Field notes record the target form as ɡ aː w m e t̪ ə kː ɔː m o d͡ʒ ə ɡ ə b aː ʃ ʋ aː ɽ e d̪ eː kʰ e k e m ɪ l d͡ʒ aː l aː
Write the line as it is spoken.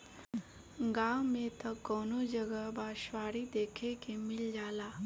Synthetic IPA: ɡ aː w m e t̪ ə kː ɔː n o d͡ʒ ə ɡ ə b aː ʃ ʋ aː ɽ i d̪ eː kʰ e k e m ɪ l d͡ʒ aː l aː

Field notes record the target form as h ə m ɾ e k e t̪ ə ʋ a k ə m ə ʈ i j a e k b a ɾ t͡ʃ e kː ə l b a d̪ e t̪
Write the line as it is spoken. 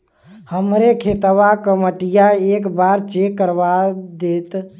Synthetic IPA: h ə m ɾ e kʰ e t̪ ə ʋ a k ə m ə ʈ i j a e k b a ɾ t͡ʃ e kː ə ɾ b a d̪ e t̪

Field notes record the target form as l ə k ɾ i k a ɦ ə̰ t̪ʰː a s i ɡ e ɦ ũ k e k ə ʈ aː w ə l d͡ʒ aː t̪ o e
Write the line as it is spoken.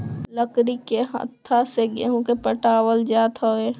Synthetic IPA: l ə k ɾ i k e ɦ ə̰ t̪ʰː a s e ɡ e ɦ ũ k e p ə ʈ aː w ə l d͡ʒ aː t̪ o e

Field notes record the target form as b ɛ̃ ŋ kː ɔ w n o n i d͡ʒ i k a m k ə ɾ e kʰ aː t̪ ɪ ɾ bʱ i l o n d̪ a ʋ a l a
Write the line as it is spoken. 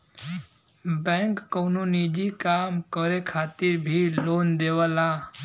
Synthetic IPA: b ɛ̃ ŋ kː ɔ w n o n i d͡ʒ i k a m k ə ɾ e kʰ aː t̪ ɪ ɾ bʱ i l o n d̪ e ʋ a l a

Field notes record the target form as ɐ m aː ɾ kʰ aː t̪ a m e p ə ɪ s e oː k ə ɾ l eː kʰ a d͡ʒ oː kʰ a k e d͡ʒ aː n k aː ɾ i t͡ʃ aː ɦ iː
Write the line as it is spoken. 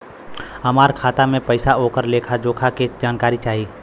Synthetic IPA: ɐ m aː ɾ kʰ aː t̪ a m ẽ p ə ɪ s a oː k ə ɾ l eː kʰ a d͡ʒ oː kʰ a k e d͡ʒ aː n k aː ɾ i t͡ʃ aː ɦ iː

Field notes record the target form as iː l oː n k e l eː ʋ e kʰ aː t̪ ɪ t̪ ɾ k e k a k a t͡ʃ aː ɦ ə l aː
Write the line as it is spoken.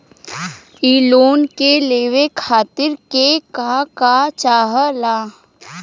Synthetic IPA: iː l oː n k e l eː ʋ e kʰ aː t̪ ɪ ɾ k e k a k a t͡ʃ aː ɦ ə l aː

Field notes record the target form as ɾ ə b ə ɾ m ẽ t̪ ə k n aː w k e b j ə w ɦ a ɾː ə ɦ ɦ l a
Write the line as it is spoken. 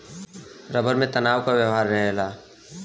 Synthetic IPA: ɾ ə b ə ɾ m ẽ t̪ ə n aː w k a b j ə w ɦ a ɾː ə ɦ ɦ l a

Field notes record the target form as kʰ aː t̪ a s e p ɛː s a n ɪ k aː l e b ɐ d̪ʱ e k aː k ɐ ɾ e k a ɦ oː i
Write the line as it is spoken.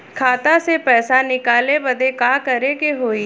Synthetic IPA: kʰ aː t̪ a s e p ɛː s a n ɪ k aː l e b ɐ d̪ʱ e k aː k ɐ ɾ e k e ɦ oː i

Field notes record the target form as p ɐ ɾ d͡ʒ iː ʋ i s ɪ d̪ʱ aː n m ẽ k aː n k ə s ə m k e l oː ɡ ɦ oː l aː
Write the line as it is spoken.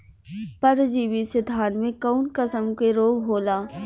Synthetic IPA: p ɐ ɾ d͡ʒ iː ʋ i s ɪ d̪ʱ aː n m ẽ k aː n k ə s ə m k e ɾ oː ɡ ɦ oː l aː

